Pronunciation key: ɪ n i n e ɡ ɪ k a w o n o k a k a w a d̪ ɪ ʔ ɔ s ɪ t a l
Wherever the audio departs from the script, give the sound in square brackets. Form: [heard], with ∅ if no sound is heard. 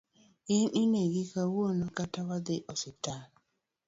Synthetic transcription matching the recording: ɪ n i n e ɡ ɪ k a w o n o k a [t] a w a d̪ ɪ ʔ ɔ s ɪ t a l